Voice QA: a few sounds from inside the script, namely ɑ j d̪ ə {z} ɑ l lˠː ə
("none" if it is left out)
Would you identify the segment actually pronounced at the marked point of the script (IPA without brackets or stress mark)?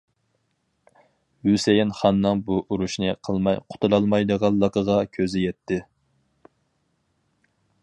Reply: ʁ